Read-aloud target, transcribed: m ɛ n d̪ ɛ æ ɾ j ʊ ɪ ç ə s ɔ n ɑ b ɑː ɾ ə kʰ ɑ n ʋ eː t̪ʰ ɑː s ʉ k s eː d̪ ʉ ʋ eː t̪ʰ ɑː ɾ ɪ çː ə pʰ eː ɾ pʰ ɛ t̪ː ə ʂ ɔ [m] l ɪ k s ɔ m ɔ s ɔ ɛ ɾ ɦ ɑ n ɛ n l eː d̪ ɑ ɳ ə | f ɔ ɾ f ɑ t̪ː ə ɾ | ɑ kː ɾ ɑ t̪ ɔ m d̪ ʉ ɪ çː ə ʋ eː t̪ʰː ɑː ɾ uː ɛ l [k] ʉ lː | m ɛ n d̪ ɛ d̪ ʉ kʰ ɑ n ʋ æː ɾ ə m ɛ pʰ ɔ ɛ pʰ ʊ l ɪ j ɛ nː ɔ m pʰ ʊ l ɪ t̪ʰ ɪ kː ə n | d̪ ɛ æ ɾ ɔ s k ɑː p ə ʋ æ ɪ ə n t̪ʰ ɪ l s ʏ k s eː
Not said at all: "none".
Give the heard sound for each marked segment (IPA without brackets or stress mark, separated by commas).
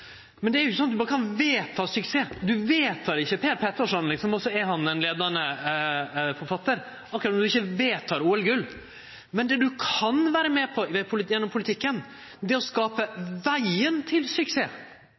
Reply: n, ɡ